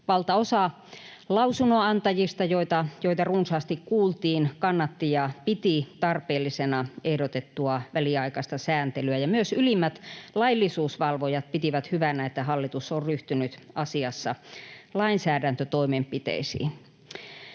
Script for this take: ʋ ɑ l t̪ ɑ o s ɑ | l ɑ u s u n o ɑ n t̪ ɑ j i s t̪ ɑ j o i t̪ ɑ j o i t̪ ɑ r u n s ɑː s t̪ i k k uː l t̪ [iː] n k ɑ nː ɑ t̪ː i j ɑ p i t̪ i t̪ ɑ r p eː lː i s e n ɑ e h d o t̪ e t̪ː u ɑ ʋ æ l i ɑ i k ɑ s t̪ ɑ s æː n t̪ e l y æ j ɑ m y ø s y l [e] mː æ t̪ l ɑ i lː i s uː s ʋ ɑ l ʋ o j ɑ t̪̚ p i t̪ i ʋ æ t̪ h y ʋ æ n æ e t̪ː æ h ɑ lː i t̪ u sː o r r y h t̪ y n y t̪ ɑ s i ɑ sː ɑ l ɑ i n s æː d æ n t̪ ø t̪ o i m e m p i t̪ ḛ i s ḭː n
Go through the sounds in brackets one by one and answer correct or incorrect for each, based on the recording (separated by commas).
correct, incorrect